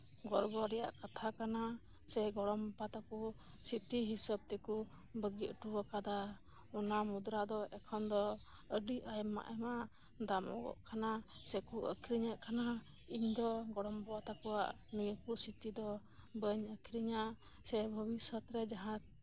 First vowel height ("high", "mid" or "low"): mid